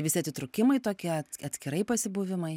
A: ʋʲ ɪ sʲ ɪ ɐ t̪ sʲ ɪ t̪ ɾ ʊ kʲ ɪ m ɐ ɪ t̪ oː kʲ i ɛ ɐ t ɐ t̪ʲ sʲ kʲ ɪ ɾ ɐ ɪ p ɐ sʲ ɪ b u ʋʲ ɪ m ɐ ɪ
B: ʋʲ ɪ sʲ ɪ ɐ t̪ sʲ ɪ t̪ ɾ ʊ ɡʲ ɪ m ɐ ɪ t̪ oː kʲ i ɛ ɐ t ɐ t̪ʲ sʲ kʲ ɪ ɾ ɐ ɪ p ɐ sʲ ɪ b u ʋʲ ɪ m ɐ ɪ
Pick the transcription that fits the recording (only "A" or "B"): A